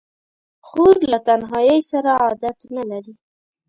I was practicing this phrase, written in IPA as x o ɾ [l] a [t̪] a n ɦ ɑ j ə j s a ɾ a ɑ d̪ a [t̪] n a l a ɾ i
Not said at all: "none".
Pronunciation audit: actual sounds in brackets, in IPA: l, t̪, t̪

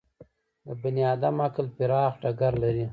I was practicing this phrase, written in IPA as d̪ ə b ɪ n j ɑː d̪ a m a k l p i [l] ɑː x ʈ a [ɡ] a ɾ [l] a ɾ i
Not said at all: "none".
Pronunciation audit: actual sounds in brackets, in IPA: ɾ, ɡ, l

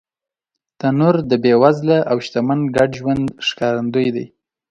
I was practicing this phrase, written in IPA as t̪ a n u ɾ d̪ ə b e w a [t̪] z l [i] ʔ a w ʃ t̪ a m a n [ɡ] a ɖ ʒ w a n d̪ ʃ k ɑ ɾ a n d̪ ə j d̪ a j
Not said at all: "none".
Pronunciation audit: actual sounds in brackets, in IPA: none, a, ɡ

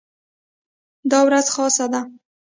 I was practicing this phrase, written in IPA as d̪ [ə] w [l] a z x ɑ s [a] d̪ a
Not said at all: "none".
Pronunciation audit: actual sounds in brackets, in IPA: ɑ, ɾ, a

